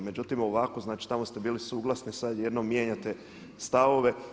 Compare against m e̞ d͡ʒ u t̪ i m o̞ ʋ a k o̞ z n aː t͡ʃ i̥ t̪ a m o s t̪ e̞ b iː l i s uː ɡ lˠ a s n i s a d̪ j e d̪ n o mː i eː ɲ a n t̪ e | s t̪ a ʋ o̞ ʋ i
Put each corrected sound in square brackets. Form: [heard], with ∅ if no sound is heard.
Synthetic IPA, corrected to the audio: m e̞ d͡ʒ u t̪ i m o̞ ʋ a k o̞ z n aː t͡ʃ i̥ t̪ a m o s t̪ e̞ b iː l i s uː ɡ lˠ a s n i s a d̪ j e d̪ n o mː [j] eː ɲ a [∅] t̪ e | s t̪ a ʋ o̞ ʋ [e]

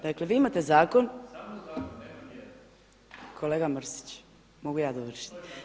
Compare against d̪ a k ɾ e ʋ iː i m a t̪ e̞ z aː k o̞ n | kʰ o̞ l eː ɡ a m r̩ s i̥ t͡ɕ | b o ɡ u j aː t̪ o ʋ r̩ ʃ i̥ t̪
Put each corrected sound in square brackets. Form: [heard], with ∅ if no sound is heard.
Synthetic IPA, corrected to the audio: d̪ a k [l] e ʋ iː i m a t̪ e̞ z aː k o̞ n | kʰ o̞ l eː ɡ a m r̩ s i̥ t͡ɕ | [m] o ɡ u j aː [d̪] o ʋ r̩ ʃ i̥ t̪

